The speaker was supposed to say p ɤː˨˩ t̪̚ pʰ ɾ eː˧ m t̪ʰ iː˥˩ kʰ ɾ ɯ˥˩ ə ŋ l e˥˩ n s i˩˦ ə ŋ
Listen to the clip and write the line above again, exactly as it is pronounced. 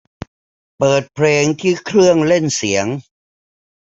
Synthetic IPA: p ɤː˨˩ t̪̚ pʰ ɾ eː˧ ŋ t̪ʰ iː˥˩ kʰ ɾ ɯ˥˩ ə ŋ l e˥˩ n s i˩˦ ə ŋ